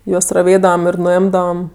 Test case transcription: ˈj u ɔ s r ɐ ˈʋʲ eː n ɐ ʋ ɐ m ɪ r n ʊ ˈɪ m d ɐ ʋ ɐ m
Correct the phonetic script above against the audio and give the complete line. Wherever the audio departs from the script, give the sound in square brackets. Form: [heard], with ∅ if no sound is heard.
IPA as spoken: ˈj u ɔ s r ɐ ˈʋʲ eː [d] ɐ ʋ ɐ m ɪ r n ʊ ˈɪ m d ɐ ʋ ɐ m